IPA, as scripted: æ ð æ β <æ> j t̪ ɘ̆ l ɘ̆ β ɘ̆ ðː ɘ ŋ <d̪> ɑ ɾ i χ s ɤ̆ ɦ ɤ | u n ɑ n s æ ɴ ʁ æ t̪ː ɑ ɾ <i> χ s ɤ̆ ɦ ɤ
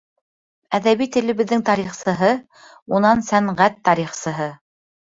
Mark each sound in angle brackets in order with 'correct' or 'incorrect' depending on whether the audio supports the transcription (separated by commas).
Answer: incorrect, incorrect, correct